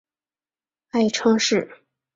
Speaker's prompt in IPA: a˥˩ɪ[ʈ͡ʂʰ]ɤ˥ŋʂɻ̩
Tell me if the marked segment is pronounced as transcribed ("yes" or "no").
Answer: yes